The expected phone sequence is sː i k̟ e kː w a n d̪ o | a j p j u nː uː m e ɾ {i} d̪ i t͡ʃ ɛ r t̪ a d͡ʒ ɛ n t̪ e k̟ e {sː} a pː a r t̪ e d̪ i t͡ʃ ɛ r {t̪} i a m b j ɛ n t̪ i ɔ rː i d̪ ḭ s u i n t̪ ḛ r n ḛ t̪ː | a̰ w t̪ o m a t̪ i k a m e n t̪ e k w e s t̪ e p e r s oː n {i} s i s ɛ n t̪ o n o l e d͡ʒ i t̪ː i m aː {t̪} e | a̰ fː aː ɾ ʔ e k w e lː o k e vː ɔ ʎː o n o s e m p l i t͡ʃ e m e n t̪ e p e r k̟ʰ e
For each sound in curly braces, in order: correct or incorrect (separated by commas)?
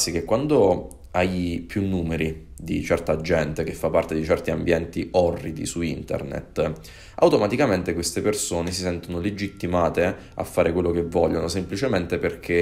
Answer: correct, incorrect, correct, incorrect, correct